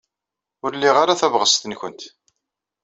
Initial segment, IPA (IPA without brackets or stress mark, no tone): ʊ